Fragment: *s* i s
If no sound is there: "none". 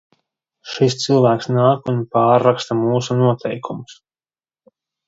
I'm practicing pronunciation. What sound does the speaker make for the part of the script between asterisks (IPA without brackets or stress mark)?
ʃ